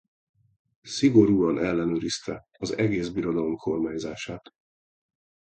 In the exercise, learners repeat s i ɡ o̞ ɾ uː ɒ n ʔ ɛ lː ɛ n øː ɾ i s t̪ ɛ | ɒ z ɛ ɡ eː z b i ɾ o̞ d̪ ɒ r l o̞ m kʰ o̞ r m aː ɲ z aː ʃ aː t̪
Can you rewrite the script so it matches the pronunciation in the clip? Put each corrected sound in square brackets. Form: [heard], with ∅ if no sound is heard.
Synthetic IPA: s i ɡ o̞ ɾ uː ɒ n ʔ ɛ lː ɛ n øː ɾ i s t̪ ɛ | ɒ z ɛ ɡ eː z b i ɾ o̞ d̪ ɒ [∅] l o̞ m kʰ o̞ r m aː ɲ z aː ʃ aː t̪